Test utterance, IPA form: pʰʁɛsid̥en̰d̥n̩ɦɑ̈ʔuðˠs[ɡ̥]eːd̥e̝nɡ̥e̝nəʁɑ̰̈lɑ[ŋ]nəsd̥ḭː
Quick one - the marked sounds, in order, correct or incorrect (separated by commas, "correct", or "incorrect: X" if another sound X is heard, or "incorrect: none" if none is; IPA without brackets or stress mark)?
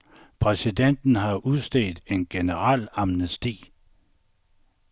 incorrect: d̥, incorrect: m